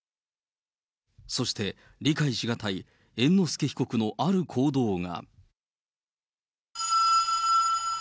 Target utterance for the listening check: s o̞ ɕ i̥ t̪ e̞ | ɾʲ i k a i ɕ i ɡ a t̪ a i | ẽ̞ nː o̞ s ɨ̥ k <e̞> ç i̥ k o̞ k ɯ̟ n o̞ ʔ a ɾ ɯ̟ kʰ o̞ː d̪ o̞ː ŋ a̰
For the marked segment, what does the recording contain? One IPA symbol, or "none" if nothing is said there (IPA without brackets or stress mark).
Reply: e̞